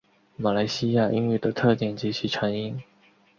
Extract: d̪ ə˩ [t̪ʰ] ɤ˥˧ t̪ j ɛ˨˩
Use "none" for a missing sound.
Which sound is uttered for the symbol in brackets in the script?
t̪ʰ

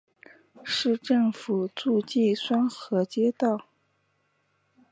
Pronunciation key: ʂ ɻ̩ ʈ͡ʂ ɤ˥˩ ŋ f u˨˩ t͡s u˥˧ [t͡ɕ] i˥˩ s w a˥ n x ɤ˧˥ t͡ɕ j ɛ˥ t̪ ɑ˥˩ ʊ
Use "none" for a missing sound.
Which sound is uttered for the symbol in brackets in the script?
t͡ɕ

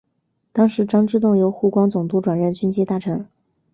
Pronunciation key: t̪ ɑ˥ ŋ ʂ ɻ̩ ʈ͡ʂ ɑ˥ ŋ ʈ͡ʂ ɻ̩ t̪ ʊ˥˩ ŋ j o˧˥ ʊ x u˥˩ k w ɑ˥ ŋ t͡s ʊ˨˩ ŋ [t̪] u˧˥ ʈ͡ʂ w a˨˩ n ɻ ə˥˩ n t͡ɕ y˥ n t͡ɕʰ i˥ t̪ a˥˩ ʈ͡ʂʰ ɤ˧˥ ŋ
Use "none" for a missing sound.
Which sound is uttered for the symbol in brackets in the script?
t̪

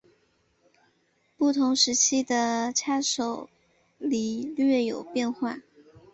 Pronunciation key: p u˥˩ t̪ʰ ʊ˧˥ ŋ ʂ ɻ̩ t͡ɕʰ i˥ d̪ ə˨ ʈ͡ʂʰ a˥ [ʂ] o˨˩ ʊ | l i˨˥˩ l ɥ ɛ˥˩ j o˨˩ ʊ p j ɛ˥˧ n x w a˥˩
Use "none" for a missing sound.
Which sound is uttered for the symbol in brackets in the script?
ʂ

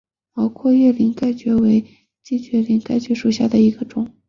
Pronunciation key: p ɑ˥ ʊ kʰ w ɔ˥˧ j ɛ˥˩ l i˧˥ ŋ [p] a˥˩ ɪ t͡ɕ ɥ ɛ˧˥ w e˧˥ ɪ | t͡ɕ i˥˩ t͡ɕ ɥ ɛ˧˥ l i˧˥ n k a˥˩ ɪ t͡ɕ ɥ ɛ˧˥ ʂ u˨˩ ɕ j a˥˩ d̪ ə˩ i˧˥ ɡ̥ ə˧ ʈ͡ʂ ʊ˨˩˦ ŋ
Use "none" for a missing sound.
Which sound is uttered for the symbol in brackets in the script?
k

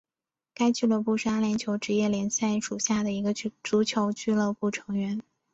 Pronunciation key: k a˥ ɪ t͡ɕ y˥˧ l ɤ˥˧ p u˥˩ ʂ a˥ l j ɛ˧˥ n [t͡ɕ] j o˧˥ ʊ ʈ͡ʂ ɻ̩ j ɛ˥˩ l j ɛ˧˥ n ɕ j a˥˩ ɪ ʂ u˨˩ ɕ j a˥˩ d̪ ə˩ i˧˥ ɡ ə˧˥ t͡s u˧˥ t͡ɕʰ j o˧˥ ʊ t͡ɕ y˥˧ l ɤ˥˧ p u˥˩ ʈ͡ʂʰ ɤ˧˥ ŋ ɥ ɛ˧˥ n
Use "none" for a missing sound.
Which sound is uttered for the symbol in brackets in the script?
t͡ɕʰ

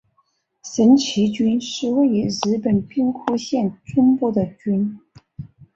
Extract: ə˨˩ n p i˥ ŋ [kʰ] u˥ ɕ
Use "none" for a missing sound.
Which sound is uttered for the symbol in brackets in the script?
kʰ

